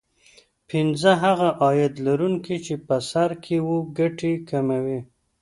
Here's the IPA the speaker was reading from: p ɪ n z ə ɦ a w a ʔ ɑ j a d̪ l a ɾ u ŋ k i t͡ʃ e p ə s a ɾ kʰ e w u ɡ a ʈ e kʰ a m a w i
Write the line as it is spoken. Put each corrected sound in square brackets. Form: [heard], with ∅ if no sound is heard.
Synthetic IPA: p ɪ n z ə ɦ a [ɣ] a ʔ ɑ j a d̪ l a ɾ u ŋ k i t͡ʃ e p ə s a ɾ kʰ e w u ɡ a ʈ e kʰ a m a w i